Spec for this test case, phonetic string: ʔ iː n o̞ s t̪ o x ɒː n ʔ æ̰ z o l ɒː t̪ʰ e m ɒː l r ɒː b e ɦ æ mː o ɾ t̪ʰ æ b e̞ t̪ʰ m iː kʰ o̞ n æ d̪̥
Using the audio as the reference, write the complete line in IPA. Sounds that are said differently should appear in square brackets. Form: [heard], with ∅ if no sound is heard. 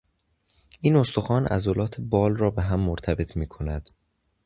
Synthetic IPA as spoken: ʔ iː n o̞ s t̪ o x ɒː n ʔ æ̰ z o l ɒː t̪ʰ e [b] ɒː l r ɒː b e ɦ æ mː o ɾ t̪ʰ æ b e̞ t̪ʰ m iː kʰ o̞ n æ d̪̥

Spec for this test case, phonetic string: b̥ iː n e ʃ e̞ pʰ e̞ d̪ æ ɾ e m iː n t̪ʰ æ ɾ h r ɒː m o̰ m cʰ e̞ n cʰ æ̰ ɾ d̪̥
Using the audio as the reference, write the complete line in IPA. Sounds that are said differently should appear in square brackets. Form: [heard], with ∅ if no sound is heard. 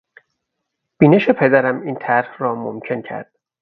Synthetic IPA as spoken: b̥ iː n e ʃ e̞ pʰ e̞ d̪ æ ɾ [æ] m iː n t̪ʰ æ ɾ h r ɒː m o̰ m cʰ e̞ n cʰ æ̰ ɾ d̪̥

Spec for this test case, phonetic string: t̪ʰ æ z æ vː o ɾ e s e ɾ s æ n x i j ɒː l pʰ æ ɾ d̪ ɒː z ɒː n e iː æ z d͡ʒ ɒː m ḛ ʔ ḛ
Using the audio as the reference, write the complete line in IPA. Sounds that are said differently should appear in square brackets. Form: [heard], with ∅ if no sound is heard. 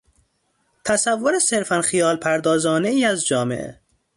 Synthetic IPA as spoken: t̪ʰ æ [s] æ vː o ɾ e s e ɾ [f] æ n x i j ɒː l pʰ æ ɾ d̪ ɒː z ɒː n e iː æ z d͡ʒ ɒː m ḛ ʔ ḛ

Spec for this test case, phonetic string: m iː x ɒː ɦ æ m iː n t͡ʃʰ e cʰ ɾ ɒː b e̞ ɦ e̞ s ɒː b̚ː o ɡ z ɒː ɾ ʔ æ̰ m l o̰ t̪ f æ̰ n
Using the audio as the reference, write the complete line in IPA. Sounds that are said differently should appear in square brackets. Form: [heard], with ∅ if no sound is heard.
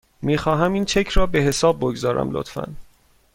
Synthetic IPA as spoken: m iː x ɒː ɦ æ m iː n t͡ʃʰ e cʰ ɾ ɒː b e̞ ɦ e̞ s ɒː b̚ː o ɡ z ɒː ɾ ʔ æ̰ m l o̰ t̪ f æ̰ n

